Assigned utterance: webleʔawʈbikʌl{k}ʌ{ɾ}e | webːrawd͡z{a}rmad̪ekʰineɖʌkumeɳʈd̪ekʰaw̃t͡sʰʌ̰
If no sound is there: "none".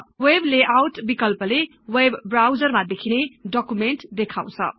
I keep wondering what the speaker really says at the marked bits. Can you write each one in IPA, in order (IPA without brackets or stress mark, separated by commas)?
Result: p, l, ʌ